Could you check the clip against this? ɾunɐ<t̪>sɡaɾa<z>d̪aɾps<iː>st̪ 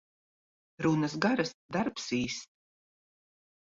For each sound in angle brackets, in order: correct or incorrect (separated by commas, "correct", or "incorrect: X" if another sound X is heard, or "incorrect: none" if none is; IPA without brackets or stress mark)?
incorrect: none, incorrect: s, correct